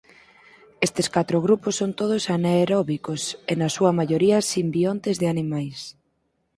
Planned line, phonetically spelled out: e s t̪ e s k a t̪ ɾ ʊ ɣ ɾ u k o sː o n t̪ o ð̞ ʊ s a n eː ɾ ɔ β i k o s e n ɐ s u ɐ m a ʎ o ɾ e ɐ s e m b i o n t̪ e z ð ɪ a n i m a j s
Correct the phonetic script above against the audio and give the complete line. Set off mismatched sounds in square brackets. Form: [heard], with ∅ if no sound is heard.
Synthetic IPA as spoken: e s t̪ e s k a t̪ ɾ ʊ ɣ ɾ u [p] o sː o n t̪ o ð̞ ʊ s a n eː ɾ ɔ β i k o s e n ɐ s u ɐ m a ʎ o ɾ [i] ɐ s [i] m b i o n t̪ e z ð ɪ a n i m a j s